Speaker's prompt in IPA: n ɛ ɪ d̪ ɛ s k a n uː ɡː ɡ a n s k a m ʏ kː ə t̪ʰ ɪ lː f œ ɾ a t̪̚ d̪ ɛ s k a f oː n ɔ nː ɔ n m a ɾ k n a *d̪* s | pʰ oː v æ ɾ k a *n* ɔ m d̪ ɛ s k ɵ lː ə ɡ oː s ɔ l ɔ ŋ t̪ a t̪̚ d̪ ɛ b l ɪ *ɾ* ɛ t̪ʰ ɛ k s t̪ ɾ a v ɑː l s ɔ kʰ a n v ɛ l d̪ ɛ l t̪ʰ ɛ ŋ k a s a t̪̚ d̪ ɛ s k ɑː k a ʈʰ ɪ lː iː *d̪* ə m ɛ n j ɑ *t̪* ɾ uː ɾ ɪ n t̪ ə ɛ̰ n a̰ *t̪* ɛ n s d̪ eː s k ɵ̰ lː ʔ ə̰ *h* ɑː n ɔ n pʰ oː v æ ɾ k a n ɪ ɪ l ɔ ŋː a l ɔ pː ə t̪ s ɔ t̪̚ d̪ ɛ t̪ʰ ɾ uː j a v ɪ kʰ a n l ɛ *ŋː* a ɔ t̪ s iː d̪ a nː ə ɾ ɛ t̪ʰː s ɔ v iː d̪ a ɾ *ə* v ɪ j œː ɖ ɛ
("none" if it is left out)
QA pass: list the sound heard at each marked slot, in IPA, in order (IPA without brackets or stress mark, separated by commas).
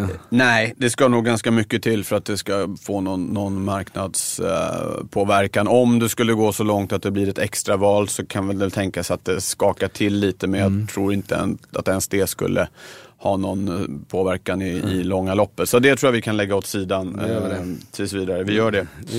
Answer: d̪, n, ɾ, t̪, t̪ʰ, t̪, h, ɡː, ə